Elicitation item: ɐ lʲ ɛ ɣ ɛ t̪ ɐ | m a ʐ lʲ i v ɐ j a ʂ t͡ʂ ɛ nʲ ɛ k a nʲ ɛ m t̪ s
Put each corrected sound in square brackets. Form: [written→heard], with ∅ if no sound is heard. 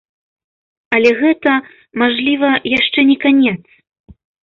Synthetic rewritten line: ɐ lʲ ɛ ɣ ɛ t̪ ɐ | m a ʐ lʲ i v ɐ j a ʂ t͡ʂ ɛ nʲ ɛ k a nʲ ɛ [m→∅] t̪ s